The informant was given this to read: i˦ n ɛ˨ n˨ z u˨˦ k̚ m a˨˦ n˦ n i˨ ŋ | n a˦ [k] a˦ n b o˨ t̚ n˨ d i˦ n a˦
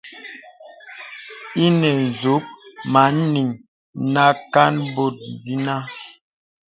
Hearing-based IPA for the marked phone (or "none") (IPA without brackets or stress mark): k